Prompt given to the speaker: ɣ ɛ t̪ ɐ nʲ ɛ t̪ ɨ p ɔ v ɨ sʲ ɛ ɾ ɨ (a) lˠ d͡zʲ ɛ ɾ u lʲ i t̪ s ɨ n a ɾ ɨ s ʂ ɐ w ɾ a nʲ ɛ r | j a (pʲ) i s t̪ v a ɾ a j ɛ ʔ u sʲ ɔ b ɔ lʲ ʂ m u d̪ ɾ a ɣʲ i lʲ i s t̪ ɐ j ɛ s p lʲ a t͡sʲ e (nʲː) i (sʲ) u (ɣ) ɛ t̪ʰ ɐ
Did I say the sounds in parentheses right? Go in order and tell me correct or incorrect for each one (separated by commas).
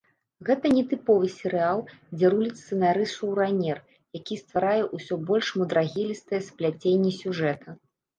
correct, incorrect, correct, correct, incorrect